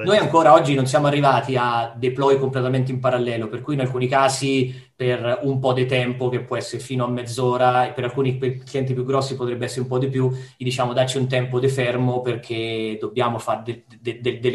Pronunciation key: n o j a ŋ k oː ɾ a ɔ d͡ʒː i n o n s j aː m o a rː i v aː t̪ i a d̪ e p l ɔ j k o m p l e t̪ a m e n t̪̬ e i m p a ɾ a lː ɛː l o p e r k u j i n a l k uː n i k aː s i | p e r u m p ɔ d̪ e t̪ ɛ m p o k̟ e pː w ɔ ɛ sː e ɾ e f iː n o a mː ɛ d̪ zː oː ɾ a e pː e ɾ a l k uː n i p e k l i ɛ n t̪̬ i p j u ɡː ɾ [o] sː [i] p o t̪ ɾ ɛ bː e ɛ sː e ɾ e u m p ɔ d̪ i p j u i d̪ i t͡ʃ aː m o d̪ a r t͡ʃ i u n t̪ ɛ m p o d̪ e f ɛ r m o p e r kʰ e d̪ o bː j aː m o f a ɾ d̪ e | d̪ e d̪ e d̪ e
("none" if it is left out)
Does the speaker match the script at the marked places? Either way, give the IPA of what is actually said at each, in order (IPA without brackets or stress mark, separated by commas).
ɔ, i